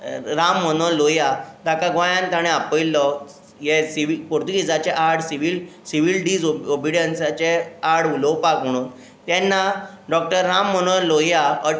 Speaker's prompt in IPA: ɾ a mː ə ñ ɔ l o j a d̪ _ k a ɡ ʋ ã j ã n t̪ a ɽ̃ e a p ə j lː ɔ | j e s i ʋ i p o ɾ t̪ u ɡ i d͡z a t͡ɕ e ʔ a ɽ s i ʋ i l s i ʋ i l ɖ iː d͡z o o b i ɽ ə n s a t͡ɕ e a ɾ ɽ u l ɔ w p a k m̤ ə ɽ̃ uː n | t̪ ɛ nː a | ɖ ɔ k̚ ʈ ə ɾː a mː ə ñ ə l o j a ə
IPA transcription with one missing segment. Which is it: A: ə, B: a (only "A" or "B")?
B